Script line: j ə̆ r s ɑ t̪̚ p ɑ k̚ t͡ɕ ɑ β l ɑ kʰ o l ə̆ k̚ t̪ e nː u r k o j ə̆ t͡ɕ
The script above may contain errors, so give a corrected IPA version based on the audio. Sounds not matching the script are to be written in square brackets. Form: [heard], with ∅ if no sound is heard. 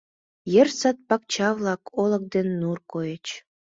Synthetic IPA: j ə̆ r s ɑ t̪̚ p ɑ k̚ t͡ɕ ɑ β l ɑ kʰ o l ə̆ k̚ [d̪] e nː u r k o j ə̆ t͡ɕ